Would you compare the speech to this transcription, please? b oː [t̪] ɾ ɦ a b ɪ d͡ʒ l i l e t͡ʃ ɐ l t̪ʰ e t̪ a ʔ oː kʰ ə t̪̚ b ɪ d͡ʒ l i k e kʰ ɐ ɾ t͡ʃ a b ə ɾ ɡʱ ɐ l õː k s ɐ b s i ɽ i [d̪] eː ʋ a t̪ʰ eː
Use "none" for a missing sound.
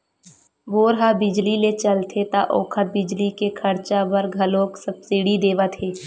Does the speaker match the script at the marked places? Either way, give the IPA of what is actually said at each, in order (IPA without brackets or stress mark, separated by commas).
none, d̪